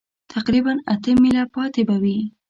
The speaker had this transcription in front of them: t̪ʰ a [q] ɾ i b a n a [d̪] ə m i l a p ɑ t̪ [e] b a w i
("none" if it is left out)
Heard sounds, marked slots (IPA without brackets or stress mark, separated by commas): q, t̪, e